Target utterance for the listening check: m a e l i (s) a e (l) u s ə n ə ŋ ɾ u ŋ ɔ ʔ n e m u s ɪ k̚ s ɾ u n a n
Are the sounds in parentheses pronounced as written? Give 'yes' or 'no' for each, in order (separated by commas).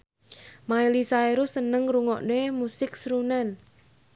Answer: yes, no